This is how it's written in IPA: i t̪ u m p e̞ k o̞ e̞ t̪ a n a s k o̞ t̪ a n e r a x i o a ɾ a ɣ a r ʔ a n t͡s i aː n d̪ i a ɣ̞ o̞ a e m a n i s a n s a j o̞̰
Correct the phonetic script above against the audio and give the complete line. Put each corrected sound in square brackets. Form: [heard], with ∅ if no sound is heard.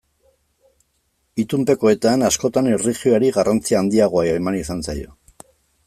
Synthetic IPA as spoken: i t̪ u m p e̞ k o̞ e̞ t̪ a n a s k o̞ t̪ a n e r [i] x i o a ɾ [i] ɣ a r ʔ a n t͡s i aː n d̪ i a ɣ̞ o̞ a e m a n i s a n s a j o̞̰